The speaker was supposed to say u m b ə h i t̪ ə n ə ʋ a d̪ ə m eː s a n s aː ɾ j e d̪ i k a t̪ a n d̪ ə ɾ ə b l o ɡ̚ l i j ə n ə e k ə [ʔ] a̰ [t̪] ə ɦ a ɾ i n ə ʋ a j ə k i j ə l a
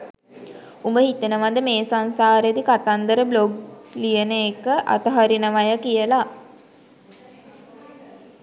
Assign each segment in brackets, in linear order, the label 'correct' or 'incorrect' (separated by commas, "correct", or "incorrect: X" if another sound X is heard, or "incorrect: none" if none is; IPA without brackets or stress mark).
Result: correct, correct